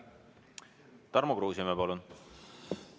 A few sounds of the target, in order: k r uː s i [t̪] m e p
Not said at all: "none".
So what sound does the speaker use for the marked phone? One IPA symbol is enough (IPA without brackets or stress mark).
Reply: none